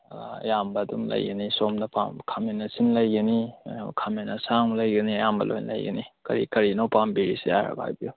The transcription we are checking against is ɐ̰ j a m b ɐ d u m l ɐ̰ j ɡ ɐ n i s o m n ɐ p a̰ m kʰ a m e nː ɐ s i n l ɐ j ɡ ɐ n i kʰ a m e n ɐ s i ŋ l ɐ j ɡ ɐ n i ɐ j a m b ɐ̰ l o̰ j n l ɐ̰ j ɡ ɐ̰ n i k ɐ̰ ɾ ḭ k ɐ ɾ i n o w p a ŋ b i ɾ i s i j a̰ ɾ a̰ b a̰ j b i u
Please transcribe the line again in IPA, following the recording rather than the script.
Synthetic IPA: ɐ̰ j a m b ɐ d u m l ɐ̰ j ɡ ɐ n i s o m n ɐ p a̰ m kʰ a m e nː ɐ s i n l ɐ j ɡ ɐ n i kʰ a m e n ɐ s a ŋ l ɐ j ɡ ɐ n i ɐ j a m b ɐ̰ l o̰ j n l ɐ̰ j ɡ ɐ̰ n i k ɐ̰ ɾ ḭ k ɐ ɾ i n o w p a m b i ɾ i s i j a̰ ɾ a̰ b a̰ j b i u